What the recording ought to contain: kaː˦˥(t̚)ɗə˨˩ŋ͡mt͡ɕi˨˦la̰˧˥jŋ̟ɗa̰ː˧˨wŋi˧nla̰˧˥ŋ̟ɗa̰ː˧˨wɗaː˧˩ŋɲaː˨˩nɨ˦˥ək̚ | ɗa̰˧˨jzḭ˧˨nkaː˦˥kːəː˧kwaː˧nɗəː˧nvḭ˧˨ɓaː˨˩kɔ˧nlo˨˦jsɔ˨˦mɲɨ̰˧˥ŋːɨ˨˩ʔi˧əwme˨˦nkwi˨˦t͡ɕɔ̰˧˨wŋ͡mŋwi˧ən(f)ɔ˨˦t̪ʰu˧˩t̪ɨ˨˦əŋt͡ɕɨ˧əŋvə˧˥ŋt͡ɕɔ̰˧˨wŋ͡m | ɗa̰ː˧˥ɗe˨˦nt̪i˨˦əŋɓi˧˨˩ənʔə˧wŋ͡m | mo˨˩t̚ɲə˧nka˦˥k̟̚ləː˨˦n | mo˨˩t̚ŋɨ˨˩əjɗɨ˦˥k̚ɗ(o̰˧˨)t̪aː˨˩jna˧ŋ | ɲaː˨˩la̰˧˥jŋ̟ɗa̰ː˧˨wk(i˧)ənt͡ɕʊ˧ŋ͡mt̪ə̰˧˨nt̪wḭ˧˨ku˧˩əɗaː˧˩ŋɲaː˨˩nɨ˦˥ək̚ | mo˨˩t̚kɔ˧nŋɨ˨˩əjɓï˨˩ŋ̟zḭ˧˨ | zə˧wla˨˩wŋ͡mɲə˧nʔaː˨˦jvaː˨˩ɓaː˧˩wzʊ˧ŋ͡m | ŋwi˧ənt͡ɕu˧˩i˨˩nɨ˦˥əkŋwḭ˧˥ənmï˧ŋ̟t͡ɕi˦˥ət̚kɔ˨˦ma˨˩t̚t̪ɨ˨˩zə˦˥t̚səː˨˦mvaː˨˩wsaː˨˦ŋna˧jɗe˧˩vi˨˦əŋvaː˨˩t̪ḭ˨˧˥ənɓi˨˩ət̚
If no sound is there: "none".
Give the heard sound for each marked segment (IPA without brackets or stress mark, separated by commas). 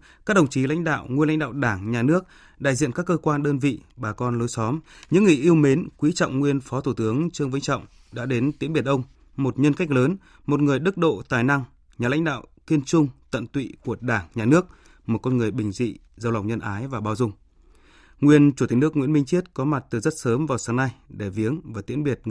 k̚, f, o̰˧˨, i˧